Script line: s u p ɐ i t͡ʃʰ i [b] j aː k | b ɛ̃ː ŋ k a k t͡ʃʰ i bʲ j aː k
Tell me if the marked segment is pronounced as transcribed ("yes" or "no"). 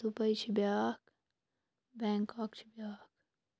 yes